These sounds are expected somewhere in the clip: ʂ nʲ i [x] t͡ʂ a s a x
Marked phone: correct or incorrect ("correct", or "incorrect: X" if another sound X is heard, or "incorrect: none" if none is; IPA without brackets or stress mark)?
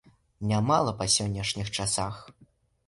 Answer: correct